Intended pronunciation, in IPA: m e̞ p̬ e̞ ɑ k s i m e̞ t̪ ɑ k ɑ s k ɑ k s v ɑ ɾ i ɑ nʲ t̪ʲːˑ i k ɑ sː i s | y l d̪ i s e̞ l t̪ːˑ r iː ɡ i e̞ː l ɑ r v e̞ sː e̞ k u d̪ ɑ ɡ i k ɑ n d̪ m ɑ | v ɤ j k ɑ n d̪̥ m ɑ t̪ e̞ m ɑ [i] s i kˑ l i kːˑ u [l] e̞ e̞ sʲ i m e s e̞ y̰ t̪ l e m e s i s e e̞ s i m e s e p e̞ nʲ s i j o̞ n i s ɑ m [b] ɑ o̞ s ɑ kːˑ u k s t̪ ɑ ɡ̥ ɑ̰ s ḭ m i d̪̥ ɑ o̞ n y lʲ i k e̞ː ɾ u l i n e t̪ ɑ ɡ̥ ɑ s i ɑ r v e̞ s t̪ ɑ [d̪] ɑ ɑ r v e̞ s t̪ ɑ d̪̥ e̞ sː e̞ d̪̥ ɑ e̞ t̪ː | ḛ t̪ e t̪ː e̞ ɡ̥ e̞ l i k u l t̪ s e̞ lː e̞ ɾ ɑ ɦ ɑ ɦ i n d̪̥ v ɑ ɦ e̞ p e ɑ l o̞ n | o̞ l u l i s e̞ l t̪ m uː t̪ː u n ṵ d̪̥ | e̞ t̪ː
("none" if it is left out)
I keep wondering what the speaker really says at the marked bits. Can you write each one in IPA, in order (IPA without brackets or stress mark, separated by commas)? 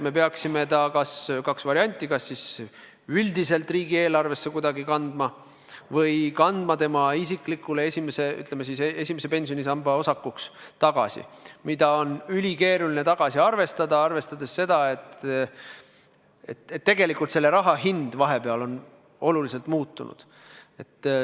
i, l, b, d̪